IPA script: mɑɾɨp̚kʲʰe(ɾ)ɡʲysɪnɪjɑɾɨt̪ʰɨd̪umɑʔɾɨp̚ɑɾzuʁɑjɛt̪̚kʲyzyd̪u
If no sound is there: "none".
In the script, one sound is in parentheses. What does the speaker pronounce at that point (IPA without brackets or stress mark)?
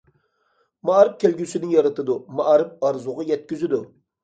l